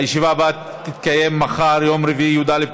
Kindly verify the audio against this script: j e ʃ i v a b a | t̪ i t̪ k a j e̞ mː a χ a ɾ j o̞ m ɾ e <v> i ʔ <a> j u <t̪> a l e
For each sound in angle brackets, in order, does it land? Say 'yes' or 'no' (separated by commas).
yes, no, no